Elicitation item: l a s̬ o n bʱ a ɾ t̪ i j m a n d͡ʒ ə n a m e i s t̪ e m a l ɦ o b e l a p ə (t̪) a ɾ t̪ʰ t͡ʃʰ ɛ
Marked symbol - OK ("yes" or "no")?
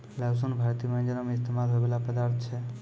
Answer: no